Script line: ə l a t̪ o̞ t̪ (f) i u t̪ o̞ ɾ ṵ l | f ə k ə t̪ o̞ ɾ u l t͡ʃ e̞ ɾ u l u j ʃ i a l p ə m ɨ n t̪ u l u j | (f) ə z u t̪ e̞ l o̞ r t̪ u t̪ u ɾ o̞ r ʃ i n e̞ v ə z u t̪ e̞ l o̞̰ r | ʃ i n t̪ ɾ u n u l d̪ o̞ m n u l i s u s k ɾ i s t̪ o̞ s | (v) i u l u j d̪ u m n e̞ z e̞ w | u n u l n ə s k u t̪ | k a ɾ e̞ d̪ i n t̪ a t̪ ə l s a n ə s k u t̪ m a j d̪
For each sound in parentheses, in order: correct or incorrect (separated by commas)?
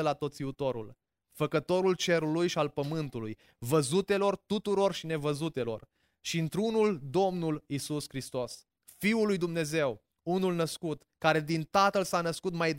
incorrect, incorrect, incorrect